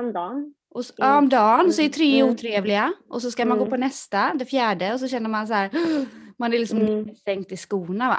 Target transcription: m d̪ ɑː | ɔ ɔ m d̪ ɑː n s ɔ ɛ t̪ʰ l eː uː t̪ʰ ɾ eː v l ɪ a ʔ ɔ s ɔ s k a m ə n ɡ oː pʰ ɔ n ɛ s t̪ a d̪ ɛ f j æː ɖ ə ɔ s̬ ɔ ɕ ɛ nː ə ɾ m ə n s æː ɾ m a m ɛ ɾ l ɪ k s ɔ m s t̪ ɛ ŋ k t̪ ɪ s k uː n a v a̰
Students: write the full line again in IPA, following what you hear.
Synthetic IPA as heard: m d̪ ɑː | ɔ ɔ m d̪ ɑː n s ɔ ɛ t̪ʰ ɾ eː uː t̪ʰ ɾ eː v l ɪ a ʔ ɔ s ɔ s k a m a n ɡ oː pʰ ɔ n ɛ s t̪ a d̪ ɛ f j æː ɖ ə ɔ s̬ ɔ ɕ ɛ nː ə ɾ m a n s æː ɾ m a n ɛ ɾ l ɪ k s ɔ m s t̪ ɛ ŋ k t̪ ɪ s k uː n a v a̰